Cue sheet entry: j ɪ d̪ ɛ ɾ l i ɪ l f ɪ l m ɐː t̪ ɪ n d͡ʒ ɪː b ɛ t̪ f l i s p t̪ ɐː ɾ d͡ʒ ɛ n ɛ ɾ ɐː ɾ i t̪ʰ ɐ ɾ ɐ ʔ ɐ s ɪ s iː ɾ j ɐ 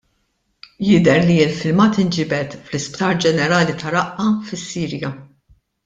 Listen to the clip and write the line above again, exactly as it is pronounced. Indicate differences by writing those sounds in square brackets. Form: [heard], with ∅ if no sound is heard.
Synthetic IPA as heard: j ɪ d̪ ɛ ɾ l i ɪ l f ɪ l m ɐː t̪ ɪ n d͡ʒ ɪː b ɛ t̪ f l [ɪ] s p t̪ ɐː ɾ d͡ʒ ɛ n ɛ ɾ ɐː [l] i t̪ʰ ɐ ɾ ɐ ʔ ɐ [f] ɪ [sː] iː ɾ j ɐ